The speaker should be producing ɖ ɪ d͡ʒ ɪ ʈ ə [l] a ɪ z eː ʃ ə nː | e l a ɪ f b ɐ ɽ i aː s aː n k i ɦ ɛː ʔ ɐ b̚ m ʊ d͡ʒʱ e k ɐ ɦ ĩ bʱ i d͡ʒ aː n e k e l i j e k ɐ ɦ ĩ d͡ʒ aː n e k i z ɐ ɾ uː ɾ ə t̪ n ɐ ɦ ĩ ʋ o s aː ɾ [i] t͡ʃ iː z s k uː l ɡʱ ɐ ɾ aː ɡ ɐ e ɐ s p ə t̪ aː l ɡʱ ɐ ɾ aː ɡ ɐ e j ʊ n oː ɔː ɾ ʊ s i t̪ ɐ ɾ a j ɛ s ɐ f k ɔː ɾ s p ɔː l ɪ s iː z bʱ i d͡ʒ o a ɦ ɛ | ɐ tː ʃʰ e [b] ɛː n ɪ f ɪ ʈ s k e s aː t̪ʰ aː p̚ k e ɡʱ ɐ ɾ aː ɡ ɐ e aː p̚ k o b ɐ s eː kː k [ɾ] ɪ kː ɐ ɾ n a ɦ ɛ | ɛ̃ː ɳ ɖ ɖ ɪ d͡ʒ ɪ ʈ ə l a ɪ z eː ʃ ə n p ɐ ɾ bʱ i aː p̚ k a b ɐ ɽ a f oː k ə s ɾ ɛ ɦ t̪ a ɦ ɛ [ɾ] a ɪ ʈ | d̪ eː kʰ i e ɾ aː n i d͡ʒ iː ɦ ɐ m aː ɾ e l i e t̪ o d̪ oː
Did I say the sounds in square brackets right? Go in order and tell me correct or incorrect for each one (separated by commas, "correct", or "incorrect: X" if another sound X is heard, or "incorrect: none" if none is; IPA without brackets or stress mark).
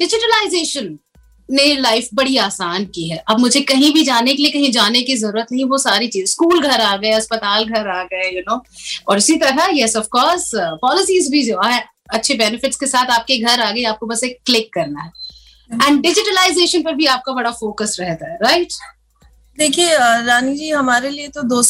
correct, correct, correct, incorrect: l, correct